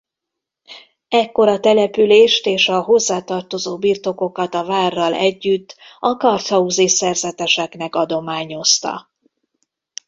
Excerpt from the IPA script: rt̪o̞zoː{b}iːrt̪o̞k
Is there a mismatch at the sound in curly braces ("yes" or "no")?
no